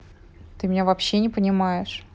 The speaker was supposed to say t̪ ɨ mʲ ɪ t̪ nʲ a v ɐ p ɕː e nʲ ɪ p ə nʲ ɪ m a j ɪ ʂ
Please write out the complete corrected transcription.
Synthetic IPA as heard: t̪ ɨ mʲ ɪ nʲ a v ɐ p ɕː e nʲ ɪ p ə nʲ ɪ m a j ɪ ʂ